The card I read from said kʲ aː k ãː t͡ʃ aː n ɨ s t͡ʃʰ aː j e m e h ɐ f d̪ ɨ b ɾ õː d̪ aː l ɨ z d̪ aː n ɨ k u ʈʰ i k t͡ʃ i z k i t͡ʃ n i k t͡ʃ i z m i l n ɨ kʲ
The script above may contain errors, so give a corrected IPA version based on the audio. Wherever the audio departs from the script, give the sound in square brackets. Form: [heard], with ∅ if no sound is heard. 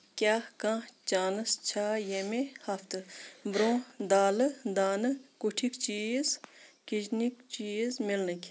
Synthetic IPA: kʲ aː k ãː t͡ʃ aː n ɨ s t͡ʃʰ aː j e m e h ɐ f [t̪] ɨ b ɾ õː d̪ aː l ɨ [∅] d̪ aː n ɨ k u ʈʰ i k t͡ʃ i z k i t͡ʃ n i k t͡ʃ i z m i l n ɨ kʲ

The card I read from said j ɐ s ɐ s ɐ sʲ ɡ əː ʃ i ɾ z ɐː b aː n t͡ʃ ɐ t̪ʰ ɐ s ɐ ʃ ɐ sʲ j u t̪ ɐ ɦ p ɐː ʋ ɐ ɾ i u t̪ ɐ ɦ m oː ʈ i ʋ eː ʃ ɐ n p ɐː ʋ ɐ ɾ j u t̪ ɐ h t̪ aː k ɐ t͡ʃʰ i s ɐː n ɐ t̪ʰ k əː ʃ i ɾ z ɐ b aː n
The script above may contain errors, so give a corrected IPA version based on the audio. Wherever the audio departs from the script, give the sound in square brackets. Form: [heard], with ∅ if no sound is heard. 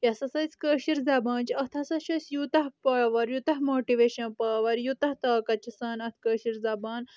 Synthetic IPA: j ɐ s ɐ s ɐ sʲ [k] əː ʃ i ɾ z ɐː b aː n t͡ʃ ɐ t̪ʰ ɐ s ɐ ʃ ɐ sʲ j u t̪ ɐ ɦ p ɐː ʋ ɐ ɾ [j] u t̪ ɐ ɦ m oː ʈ i ʋ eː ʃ ɐ n p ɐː ʋ ɐ ɾ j u t̪ ɐ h t̪ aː k ɐ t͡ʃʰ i s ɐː n ɐ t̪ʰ k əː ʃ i ɾ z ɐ b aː n

